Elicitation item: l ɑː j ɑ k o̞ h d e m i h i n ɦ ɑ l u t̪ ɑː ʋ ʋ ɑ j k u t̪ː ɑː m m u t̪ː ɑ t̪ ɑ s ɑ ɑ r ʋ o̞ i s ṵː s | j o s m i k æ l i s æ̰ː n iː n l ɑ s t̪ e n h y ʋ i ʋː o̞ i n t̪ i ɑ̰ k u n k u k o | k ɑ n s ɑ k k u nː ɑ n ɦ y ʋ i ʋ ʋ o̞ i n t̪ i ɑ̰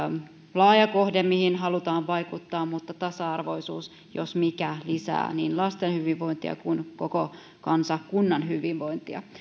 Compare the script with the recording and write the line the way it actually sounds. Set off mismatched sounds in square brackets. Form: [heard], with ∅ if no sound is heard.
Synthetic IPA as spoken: l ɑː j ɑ k o̞ h d e m i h i n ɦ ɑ l u t̪ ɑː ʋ ʋ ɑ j k u t̪ː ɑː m m u t̪ː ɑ t̪ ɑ s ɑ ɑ r ʋ o̞ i s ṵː s | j o s m i k æ l i s æ̰ː n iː n l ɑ s t̪ e n h y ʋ i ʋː o̞ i n t̪ i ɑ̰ k u n k [o] k o | k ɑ n s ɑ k k u nː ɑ n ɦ y ʋ i ʋ ʋ o̞ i n t̪ i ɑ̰